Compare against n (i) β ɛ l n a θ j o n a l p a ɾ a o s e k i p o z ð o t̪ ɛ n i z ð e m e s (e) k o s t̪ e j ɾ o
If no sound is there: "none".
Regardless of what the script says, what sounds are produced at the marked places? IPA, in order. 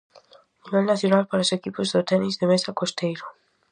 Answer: i, a

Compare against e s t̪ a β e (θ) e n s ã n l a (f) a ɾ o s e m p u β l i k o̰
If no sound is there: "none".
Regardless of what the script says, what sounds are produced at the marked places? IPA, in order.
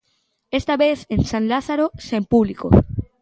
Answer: θ, θ

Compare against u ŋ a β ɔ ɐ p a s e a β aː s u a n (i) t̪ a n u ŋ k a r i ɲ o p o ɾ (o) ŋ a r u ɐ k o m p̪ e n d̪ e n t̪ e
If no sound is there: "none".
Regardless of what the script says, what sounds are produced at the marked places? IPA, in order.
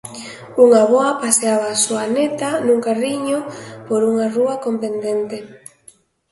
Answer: e, u

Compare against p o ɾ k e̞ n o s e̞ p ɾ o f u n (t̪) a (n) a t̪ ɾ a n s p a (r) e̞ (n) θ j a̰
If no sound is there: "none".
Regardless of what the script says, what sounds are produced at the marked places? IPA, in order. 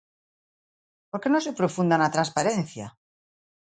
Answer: d̪, n, ɾ, n

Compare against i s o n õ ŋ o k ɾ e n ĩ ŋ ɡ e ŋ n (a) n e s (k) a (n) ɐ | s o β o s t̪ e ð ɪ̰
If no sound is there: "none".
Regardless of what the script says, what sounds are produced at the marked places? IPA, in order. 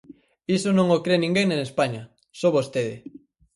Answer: e, p, ɲ

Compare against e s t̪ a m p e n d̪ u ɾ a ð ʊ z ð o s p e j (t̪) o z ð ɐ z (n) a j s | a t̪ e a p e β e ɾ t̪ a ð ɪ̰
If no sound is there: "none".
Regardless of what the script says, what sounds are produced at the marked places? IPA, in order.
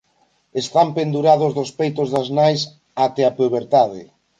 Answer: t̪, n

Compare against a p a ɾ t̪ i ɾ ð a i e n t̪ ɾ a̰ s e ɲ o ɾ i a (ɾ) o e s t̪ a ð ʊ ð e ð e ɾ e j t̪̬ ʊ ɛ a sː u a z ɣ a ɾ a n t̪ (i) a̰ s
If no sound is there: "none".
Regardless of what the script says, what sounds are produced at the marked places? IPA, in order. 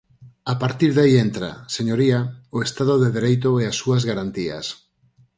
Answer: none, i

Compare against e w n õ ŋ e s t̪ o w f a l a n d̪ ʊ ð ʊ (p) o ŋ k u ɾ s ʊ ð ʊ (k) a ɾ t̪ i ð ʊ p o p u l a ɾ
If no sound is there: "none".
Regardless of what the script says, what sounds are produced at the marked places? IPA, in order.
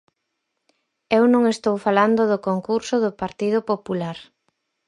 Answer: k, p

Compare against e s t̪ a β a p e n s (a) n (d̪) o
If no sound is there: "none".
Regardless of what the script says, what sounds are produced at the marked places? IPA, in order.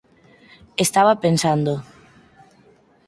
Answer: a, d̪

